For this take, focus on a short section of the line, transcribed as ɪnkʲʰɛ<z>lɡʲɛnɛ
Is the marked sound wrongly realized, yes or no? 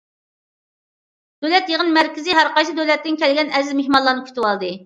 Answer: yes